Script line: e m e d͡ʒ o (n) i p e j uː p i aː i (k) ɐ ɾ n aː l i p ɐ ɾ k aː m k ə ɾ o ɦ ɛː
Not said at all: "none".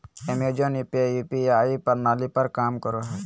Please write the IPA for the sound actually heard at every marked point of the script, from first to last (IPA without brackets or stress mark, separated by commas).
n, p